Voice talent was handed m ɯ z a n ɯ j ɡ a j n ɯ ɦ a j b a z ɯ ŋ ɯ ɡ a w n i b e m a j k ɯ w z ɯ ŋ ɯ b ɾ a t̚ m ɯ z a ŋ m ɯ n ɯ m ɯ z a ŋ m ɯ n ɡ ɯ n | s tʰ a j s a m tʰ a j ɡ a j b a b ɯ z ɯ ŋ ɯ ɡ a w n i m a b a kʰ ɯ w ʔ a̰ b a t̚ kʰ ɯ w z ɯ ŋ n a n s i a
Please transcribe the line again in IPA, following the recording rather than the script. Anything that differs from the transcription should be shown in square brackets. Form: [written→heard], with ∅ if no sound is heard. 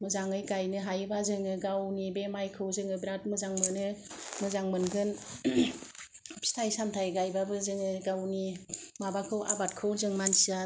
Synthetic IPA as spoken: m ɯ z a [n→ŋ] ɯ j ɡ a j n ɯ ɦ a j b a z ɯ ŋ ɯ ɡ a w n i b e m a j [k→kʰ] ɯ w z ɯ ŋ ɯ b ɾ a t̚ m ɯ z a ŋ m ɯ n ɯ m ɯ z a ŋ m ɯ n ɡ ɯ n | s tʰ a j s a m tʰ a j ɡ a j b a b ɯ z ɯ ŋ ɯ ɡ a w n i m a b a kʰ ɯ w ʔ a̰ b a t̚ kʰ ɯ w z ɯ ŋ [n→m] a n s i a